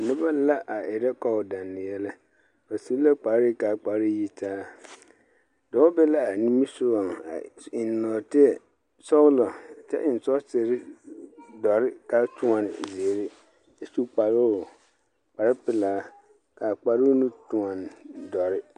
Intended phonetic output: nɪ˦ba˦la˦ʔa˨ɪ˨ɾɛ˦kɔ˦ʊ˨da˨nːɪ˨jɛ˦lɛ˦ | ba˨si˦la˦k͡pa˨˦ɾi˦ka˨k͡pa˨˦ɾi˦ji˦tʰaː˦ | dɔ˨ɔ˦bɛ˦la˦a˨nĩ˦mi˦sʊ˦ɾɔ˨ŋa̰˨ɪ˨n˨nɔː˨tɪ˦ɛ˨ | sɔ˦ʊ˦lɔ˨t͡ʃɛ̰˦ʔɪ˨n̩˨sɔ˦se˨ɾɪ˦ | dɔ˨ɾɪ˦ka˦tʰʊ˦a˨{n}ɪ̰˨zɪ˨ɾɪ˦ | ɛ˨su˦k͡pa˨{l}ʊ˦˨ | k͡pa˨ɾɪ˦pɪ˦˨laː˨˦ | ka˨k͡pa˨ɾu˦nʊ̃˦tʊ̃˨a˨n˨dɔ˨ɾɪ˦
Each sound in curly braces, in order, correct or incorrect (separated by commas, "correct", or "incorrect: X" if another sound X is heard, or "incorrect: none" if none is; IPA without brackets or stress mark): correct, incorrect: ɾ